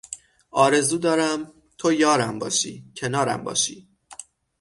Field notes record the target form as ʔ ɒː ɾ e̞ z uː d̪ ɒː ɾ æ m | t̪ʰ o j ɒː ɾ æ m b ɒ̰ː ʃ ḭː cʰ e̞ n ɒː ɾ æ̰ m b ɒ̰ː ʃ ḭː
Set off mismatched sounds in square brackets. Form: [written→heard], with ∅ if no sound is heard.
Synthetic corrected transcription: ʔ ɒː ɾ e̞ z uː d̪ ɒː ɾ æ m | t̪ʰ o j ɒː ɾ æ m b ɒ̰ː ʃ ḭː cʰ e̞ n ɒː ɾ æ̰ m b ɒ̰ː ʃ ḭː